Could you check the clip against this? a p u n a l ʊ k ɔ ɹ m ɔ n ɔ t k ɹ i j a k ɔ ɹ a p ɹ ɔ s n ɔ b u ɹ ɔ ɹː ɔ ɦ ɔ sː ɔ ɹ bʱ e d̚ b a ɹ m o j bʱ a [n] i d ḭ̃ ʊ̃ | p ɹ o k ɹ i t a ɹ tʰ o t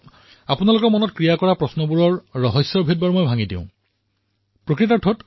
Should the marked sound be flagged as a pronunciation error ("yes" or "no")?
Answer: yes